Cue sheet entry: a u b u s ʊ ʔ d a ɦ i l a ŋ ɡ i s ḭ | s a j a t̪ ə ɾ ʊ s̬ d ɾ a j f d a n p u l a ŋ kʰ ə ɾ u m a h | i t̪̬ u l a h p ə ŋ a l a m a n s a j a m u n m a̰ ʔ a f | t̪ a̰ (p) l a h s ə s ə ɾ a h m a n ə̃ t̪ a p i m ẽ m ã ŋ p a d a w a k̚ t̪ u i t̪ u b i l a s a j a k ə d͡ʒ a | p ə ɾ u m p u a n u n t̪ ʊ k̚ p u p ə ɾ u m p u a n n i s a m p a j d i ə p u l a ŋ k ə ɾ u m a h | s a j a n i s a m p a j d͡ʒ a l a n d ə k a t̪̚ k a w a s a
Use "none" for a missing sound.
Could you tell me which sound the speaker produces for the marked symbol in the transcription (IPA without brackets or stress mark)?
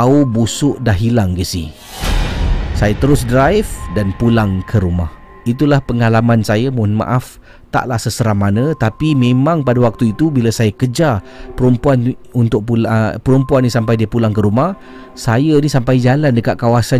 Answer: ʔ